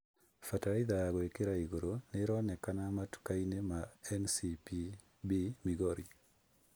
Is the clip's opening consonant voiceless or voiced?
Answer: voiceless